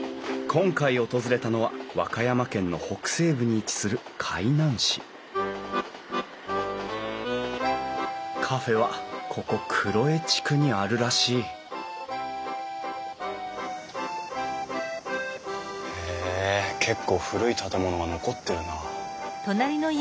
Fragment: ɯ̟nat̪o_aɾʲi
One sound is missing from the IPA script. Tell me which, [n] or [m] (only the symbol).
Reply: n